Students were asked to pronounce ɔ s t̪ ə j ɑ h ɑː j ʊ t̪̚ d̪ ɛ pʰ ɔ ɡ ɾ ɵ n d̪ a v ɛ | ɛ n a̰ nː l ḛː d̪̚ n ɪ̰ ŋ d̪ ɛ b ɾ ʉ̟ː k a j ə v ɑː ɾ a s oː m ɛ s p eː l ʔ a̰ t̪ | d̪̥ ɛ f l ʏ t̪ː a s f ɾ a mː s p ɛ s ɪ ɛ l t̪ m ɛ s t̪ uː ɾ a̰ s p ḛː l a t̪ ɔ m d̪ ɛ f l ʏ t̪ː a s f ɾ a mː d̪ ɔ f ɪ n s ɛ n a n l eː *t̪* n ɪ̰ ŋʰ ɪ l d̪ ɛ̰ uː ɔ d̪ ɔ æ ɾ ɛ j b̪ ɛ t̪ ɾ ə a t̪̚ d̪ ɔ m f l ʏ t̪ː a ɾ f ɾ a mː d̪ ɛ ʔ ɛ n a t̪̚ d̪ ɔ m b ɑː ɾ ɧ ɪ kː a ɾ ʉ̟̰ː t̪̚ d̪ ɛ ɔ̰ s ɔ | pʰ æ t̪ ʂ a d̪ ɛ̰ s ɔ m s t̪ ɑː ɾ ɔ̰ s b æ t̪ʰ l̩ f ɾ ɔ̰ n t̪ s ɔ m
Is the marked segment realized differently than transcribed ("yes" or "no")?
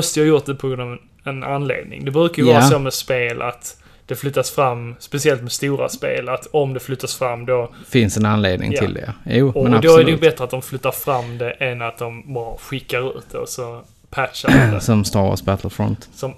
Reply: yes